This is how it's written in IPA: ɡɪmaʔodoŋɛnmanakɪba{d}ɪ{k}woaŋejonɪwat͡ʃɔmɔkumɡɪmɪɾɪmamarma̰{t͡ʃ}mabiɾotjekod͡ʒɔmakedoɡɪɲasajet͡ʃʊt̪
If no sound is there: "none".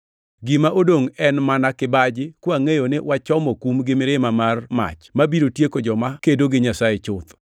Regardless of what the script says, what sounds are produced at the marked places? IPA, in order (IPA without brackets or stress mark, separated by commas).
d͡ʒ, k, t͡ʃ